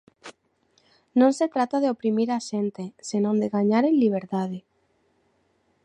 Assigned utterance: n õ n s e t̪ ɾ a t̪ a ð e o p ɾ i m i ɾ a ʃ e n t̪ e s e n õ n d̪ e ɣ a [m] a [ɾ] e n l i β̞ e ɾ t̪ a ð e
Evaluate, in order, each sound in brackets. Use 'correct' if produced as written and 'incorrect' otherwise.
incorrect, correct

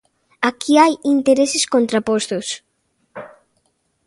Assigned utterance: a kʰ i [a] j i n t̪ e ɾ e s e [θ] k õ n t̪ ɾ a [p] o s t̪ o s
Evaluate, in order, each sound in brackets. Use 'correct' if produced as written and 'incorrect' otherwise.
correct, incorrect, correct

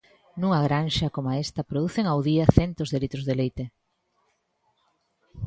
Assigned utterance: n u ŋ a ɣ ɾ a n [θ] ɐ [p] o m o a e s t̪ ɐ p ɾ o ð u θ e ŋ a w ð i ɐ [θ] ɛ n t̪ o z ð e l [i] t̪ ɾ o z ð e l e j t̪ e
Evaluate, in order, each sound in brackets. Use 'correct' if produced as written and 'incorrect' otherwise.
incorrect, incorrect, correct, correct

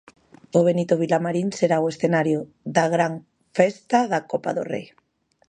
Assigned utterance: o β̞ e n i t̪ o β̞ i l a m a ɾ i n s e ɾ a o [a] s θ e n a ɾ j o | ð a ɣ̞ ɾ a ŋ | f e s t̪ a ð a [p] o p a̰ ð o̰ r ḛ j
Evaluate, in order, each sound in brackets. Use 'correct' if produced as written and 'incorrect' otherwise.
incorrect, incorrect

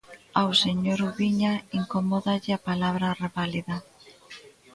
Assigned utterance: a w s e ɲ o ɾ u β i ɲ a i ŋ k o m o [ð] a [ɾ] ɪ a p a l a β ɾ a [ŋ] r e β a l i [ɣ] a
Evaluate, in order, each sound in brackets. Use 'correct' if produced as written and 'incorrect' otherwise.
correct, incorrect, incorrect, incorrect

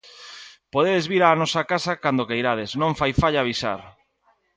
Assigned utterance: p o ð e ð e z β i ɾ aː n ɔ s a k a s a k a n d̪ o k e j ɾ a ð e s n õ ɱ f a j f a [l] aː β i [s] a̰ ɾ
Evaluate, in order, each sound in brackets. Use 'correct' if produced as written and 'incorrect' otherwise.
incorrect, correct

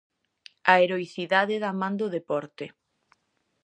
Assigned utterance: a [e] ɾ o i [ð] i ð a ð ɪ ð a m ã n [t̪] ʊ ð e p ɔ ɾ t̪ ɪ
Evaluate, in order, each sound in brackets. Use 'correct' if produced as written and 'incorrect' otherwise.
correct, incorrect, incorrect

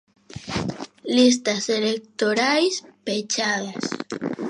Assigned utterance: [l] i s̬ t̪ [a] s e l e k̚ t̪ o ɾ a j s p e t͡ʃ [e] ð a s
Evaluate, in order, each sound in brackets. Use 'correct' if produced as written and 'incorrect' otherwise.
correct, correct, incorrect

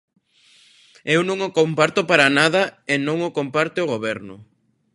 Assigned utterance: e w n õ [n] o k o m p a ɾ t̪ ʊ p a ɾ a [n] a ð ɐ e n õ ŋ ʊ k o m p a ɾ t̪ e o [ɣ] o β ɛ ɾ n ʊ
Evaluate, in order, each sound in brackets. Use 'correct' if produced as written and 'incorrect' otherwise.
incorrect, correct, correct

